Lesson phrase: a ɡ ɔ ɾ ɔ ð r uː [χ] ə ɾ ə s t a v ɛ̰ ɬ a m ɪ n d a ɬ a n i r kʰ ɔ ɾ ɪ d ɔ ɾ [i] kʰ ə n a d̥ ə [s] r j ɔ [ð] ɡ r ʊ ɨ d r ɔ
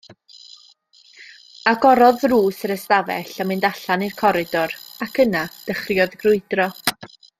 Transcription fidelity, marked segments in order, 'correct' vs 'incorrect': incorrect: s, incorrect: a, incorrect: χ, correct

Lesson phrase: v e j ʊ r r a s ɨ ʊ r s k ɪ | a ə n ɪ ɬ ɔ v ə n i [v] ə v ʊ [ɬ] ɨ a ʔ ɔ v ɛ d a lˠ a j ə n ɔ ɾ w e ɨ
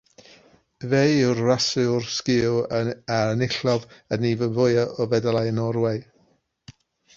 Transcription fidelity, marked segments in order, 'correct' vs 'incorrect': correct, incorrect: none

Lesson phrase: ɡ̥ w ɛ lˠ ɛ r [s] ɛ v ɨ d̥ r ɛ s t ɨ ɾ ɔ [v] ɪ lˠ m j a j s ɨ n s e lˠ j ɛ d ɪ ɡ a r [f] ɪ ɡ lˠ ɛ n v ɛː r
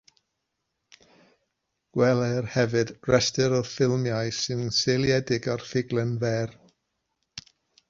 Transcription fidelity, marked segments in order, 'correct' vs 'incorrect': incorrect: h, incorrect: f, correct

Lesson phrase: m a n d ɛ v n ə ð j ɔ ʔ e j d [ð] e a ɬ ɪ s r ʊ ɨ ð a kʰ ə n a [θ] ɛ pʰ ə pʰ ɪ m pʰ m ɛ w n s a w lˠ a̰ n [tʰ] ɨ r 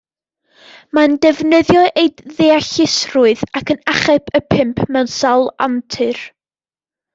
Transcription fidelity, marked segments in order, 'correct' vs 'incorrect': correct, incorrect: χ, correct

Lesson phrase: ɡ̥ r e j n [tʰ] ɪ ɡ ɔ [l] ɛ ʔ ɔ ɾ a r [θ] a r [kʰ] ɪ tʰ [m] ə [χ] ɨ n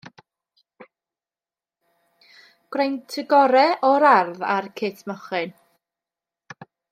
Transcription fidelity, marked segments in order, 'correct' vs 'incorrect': correct, incorrect: ɾ, incorrect: ð, correct, correct, correct

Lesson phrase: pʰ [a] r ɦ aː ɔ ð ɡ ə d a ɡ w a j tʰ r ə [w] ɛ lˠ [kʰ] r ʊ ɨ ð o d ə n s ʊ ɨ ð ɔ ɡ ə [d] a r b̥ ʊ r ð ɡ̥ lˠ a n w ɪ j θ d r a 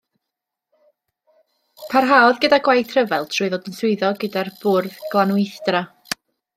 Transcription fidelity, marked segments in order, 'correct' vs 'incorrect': correct, incorrect: v, incorrect: tʰ, correct

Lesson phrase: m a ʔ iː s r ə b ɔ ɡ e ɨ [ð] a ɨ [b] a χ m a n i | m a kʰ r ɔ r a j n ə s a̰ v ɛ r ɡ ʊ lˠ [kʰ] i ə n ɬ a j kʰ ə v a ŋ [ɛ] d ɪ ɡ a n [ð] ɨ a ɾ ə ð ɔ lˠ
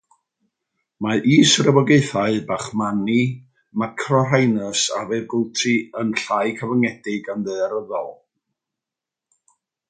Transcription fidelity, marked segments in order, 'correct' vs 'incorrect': incorrect: θ, correct, incorrect: tʰ, correct, correct

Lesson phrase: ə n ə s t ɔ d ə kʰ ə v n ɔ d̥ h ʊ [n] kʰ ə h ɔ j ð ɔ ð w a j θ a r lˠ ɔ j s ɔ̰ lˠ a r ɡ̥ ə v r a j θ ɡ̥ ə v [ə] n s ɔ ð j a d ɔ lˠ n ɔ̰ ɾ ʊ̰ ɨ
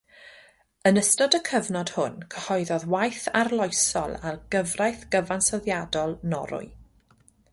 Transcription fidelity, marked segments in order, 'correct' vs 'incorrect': correct, incorrect: a

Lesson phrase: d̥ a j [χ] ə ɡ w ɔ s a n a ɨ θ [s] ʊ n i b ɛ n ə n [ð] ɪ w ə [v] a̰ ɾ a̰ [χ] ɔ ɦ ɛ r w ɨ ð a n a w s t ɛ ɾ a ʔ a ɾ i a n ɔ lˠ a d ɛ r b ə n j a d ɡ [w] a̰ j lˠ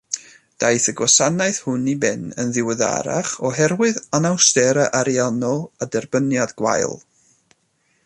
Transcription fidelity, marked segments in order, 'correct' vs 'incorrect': incorrect: θ, incorrect: h, correct, incorrect: ð, correct, correct

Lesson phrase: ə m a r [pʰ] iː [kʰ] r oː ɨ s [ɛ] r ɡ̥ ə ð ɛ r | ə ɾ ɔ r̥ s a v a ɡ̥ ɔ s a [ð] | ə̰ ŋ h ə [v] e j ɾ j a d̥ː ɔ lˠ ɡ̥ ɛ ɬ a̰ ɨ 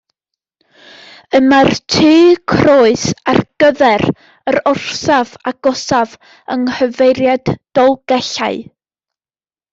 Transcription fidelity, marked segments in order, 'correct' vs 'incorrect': incorrect: tʰ, correct, incorrect: a, incorrect: v, correct

